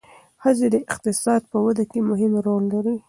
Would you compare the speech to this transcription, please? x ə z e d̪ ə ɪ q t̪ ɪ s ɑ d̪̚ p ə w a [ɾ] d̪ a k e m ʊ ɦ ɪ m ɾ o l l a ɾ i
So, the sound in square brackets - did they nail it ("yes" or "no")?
no